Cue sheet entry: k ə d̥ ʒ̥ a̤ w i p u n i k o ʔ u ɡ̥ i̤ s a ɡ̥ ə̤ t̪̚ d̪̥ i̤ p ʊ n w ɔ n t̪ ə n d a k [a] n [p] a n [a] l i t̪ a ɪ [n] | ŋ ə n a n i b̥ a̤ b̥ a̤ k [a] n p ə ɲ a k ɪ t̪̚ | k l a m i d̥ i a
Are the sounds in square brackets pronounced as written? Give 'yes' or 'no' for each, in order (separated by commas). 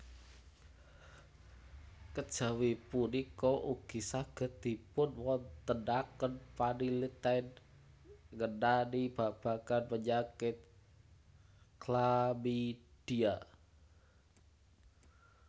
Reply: no, yes, no, yes, yes